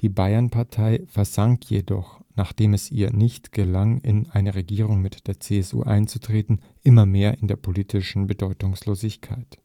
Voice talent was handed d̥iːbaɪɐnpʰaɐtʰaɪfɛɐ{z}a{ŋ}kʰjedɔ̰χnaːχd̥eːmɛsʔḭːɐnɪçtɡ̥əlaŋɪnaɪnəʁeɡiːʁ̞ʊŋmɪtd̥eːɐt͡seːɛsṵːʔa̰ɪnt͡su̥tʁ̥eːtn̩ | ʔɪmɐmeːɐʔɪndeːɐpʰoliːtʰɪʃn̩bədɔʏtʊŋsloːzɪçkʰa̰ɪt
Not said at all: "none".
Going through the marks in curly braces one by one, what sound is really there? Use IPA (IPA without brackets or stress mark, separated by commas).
z, ŋ